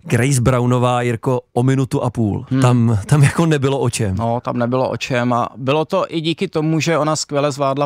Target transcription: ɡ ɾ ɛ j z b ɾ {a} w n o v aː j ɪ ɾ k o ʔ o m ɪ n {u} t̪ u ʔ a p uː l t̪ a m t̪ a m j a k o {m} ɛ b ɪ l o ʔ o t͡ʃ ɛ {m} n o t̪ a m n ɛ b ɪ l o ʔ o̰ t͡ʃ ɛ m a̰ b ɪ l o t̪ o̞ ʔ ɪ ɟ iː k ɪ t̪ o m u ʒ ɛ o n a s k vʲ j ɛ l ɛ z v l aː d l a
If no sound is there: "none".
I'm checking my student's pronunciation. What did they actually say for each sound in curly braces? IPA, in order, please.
a, u, n, m

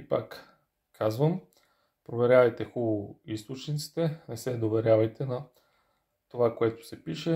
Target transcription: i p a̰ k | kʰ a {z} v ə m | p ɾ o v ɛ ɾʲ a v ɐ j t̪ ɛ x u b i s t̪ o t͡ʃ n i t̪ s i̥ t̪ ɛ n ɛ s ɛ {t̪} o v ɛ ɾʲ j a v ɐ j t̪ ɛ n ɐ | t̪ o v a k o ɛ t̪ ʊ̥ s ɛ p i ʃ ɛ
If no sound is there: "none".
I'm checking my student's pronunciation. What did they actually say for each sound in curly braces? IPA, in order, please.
z, d̪

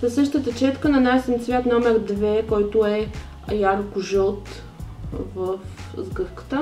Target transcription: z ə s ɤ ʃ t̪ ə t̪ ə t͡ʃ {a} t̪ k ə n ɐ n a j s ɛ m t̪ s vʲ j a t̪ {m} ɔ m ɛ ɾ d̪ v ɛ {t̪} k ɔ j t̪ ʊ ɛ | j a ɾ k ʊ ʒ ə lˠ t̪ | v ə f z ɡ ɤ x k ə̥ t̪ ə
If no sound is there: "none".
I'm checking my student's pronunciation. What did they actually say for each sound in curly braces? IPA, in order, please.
ɛ, n, none

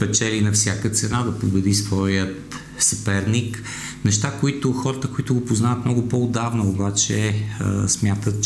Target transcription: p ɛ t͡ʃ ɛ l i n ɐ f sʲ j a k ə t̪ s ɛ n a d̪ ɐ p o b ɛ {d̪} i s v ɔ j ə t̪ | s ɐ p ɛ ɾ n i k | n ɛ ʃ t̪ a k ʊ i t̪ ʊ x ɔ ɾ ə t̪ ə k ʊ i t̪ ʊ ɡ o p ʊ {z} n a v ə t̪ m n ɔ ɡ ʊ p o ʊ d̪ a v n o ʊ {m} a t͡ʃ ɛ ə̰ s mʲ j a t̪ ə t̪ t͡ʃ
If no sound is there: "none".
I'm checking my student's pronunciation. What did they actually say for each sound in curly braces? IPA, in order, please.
d̪, z, b

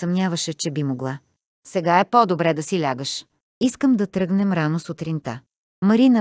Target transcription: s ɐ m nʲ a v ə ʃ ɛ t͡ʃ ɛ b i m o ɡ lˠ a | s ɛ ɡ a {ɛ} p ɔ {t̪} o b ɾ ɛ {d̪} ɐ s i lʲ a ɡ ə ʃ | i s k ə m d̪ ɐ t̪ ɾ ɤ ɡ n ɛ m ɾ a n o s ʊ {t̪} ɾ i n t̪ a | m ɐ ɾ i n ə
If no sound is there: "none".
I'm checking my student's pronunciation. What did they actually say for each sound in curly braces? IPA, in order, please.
ɛ, d̪, d̪, t̪

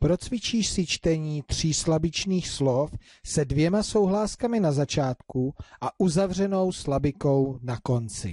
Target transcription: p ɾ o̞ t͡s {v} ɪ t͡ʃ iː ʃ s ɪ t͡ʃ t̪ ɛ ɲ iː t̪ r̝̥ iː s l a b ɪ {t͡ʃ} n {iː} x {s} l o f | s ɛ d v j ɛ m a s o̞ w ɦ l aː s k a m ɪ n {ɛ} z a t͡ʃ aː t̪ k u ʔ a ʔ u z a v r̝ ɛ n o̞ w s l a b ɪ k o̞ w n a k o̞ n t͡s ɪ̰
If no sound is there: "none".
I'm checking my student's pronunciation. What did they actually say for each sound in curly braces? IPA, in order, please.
v, t͡ʃ, iː, s, a

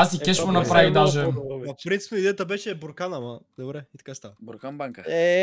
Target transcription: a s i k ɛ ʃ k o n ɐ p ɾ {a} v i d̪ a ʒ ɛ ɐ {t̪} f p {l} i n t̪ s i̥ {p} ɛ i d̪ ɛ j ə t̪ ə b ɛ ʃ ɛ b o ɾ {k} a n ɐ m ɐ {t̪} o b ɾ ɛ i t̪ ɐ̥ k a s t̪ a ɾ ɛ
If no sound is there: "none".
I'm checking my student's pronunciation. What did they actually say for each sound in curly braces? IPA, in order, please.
a, none, ɾ, p, k, d̪

